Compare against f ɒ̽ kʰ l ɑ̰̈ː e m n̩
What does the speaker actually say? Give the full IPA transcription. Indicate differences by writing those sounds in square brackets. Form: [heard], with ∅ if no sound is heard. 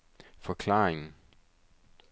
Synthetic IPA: f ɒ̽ kʰ l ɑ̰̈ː e [ŋ] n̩